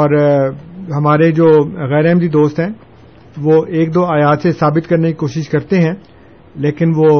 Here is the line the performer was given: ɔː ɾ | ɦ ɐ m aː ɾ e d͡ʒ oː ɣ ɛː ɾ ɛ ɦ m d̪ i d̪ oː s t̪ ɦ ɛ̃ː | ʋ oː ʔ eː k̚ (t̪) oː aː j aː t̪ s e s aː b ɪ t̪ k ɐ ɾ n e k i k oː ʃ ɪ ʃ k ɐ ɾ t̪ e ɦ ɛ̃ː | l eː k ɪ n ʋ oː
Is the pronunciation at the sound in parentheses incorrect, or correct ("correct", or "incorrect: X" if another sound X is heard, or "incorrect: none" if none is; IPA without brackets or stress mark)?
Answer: incorrect: d̪